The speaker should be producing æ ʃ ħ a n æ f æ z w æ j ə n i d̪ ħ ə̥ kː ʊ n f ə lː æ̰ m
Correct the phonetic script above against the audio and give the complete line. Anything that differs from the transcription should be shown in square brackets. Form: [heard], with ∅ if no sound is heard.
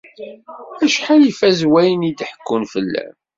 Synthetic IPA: æ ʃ ħ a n [i] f æ z w æ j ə n i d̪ ħ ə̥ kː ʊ n f ə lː æ̰ m